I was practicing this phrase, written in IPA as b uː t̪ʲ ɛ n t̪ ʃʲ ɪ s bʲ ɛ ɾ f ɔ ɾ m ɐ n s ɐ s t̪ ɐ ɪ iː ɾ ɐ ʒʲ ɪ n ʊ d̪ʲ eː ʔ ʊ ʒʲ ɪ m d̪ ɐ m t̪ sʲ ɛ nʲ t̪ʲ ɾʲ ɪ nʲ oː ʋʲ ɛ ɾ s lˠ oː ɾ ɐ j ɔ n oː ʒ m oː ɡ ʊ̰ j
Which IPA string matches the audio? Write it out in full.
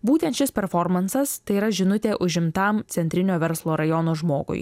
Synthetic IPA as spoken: b uː t̪ʲ ɛ n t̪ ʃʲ ɪ s pʲ ɛ ɾ f ɔ ɾ m ɐ n s ɐ s t̪ ɐ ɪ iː ɾ ɐ ʒʲ ɪ n ʊ t̪ʲ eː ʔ ʊ ʒʲ ɪ m t̪ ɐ m t̪ sʲ ɛ nʲ t̪ʲ ɾʲ ɪ nʲ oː ʋʲ ɛ ɾ s lˠ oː ɾ ɐ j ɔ n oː ʒ m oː ɡ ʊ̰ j